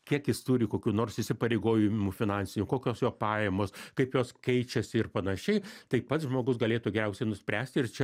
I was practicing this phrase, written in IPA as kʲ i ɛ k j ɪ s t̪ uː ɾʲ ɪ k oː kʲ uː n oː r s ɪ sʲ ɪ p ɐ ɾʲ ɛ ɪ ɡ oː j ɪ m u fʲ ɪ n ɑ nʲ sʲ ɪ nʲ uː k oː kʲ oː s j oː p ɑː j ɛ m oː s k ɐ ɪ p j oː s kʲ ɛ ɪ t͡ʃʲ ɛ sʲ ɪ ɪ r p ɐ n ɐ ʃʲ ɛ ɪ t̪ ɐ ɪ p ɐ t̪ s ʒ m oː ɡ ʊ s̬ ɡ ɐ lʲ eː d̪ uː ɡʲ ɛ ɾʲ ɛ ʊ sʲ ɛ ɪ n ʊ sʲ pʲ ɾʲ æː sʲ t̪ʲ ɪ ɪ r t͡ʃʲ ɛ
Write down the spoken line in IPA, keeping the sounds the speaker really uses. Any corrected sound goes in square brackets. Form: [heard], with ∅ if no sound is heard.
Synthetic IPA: kʲ i ɛ k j ɪ s t̪ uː ɾʲ ɪ k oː kʲ uː n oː r s ɪ sʲ ɪ p ɐ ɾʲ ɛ ɪ ɡ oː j ɪ m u fʲ ɪ n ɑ nʲ sʲ ɪ nʲ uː k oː kʲ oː s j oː p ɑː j ɛ m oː s k ɐ ɪ p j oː s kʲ ɛ ɪ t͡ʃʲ ɛ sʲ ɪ ɪ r p ɐ n ɐ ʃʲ ɛ ɪ t̪ ɐ ɪ p ɐ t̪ s ʒ m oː ɡ ʊ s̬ ɡ ɐ lʲ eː [t̪] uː ɡʲ ɛ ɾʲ ɛ ʊ sʲ ɛ ɪ n ʊ sʲ pʲ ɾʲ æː sʲ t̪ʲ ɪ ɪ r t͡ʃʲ ɛ

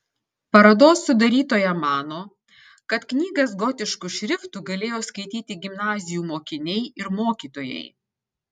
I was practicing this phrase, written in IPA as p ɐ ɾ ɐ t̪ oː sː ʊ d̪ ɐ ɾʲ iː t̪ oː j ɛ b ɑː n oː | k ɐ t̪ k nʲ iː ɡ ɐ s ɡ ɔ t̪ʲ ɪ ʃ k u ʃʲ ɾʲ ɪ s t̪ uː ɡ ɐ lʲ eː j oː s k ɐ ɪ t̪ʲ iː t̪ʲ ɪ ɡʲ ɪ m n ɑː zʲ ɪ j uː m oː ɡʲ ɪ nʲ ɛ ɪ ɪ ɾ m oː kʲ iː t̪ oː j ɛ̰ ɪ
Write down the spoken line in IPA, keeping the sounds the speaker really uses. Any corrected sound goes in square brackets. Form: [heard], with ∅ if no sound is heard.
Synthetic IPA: p ɐ ɾ ɐ [d̪] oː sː ʊ d̪ ɐ ɾʲ iː t̪ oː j ɛ [m] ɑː n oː | k ɐ t̪ k nʲ iː ɡ ɐ s ɡ ɔ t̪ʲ ɪ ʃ k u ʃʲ ɾʲ ɪ [f] t̪ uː ɡ ɐ lʲ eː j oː s k ɐ ɪ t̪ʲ iː t̪ʲ ɪ ɡʲ ɪ m n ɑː zʲ ɪ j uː m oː [kʲ] ɪ nʲ ɛ ɪ ɪ ɾ m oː kʲ iː t̪ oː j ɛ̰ ɪ

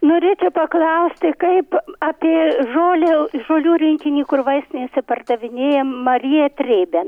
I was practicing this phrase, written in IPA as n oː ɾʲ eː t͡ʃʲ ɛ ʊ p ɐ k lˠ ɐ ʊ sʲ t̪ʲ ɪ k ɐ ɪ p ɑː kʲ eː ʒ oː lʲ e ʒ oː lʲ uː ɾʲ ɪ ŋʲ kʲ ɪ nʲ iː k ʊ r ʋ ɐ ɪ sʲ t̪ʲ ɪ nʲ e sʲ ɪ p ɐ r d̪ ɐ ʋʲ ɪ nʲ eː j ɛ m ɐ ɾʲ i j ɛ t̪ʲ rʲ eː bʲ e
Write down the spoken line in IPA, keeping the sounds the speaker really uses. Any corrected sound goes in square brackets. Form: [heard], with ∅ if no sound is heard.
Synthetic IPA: n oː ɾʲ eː t͡ʃʲ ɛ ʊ p ɐ k lˠ ɐ ʊ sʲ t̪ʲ ɪ k ɐ ɪ p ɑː [pʲ] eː ʒ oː lʲ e ʒ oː lʲ uː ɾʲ ɪ ŋʲ kʲ ɪ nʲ iː k ʊ r ʋ ɐ ɪ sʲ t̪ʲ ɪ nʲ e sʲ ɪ p ɐ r d̪ ɐ ʋʲ ɪ nʲ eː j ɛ m ɐ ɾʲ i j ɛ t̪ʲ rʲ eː bʲ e

